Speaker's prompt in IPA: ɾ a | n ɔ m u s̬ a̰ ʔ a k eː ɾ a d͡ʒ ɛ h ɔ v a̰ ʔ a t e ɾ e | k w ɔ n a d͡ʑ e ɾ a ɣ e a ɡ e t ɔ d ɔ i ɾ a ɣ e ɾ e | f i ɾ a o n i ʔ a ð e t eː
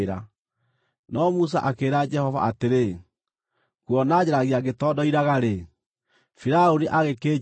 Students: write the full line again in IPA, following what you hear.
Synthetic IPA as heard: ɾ a | n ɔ m u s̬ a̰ ʔ a k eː ɾ a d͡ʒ ɛ h ɔ v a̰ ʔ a t e ɾ e | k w ɔ n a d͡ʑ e ɾ a ɣ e a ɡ e t ɔ d ɔ i ɾ a ɣ a ɾ e | f i ɾ a o n i ʔ a ɣ e k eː